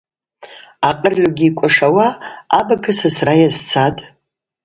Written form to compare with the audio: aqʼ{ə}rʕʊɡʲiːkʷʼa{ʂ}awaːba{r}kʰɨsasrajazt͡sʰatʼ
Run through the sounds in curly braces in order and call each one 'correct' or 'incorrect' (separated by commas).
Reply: correct, correct, incorrect